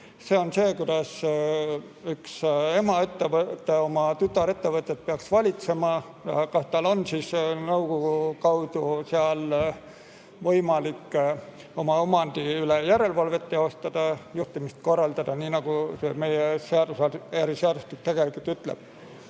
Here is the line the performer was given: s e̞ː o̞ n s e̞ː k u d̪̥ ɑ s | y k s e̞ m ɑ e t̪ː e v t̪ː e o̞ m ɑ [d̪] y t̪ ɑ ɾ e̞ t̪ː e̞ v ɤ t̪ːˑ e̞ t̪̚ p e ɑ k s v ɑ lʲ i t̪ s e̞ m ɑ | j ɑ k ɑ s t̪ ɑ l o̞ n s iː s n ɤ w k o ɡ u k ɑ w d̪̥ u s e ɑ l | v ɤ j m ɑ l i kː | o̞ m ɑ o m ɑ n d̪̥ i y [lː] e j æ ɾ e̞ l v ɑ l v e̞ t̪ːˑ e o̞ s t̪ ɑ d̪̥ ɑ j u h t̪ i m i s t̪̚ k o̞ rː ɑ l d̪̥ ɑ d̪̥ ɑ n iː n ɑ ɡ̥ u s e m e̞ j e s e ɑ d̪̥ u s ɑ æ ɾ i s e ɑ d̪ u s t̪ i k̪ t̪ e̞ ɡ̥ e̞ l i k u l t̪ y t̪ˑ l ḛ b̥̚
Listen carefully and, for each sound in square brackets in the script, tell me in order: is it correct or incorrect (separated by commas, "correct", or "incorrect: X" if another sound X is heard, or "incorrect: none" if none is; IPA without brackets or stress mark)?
incorrect: t̪, incorrect: l